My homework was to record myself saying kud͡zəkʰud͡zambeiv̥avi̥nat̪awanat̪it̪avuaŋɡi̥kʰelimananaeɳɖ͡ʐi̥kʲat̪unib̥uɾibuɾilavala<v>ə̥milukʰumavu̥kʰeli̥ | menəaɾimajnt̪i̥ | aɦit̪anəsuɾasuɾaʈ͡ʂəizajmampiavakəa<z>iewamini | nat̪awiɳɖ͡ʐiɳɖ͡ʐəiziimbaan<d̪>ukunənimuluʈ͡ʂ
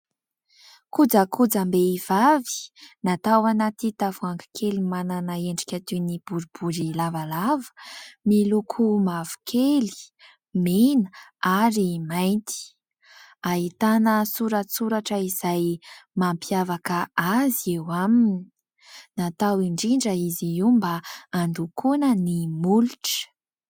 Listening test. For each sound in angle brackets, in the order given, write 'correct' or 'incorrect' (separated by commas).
correct, correct, correct